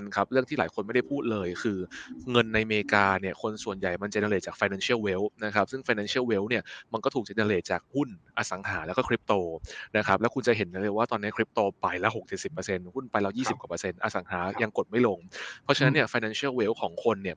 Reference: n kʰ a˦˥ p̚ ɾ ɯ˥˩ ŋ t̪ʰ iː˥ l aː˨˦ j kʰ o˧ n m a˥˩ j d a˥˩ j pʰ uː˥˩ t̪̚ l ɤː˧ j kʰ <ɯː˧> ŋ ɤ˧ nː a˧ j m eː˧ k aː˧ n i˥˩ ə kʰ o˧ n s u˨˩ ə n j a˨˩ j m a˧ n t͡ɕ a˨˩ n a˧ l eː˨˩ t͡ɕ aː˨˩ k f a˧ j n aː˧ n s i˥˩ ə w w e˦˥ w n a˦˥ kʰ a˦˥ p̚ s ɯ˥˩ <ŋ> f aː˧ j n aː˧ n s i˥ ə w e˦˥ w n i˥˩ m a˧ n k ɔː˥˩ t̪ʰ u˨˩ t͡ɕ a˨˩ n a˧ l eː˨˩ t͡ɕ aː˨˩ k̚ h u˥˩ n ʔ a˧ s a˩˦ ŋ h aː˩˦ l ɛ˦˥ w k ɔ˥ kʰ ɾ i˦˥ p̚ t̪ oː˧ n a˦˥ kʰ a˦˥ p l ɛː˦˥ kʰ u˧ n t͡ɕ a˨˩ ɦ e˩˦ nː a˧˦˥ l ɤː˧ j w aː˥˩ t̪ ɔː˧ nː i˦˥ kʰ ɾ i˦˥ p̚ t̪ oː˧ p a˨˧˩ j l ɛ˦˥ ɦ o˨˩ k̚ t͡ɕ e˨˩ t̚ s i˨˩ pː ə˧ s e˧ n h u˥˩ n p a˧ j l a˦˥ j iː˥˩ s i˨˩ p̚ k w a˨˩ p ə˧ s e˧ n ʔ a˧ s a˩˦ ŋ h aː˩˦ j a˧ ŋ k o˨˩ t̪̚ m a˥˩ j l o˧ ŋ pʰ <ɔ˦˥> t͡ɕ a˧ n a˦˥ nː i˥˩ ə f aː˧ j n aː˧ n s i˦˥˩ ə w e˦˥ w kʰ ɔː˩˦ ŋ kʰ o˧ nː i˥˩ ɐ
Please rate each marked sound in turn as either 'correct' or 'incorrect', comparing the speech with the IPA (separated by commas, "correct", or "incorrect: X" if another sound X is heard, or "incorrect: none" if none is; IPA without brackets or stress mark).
correct, correct, correct